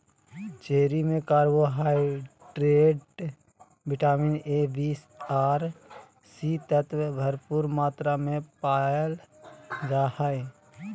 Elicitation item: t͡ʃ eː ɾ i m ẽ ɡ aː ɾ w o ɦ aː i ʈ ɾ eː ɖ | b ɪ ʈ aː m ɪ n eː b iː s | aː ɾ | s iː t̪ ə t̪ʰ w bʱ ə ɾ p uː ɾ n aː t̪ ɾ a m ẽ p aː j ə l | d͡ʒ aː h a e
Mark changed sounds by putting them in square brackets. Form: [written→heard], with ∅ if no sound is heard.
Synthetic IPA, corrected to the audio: t͡ʃ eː ɾ i m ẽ [ɡ→k] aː ɾ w o ɦ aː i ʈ ɾ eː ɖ | b ɪ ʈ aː m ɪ n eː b iː s | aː ɾ | s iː t̪ ə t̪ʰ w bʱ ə ɾ p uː ɾ [n→m] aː t̪ ɾ a m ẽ p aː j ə l | d͡ʒ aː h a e